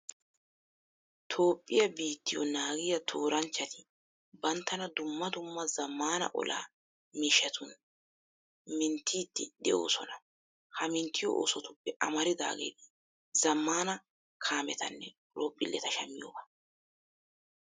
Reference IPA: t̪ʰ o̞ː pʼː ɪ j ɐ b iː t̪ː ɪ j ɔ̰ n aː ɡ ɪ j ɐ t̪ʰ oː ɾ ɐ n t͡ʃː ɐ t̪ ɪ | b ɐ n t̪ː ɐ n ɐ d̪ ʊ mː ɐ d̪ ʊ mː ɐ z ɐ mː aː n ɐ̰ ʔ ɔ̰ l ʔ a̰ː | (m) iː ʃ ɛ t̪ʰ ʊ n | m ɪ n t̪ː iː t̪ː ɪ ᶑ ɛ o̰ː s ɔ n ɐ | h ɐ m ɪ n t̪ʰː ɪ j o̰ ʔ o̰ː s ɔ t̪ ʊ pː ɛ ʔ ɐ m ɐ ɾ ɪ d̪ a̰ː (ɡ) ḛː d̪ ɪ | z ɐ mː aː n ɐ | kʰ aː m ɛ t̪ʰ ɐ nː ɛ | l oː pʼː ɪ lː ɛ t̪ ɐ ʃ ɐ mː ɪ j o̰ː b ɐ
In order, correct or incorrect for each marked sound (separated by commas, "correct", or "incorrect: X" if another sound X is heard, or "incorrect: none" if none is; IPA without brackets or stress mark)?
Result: correct, correct